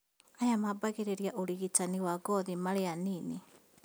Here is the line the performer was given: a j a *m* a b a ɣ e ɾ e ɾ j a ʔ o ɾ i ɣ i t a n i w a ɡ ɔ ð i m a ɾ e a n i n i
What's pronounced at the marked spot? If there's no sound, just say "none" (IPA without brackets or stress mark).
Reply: m